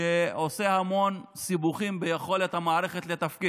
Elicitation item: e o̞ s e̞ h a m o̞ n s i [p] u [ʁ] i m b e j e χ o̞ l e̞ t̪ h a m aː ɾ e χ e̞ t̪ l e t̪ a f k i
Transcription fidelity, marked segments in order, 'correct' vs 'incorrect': incorrect: b, incorrect: χ

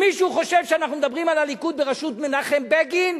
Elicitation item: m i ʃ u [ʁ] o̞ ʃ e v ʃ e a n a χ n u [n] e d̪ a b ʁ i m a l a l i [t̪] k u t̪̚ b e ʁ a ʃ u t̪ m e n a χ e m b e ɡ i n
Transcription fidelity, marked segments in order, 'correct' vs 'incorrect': incorrect: χ, incorrect: m, incorrect: none

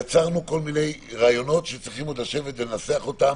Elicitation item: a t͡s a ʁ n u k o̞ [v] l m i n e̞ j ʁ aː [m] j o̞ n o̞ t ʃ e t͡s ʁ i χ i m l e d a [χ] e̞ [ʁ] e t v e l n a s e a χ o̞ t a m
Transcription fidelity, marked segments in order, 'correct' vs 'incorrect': incorrect: none, incorrect: none, incorrect: ʃ, incorrect: v

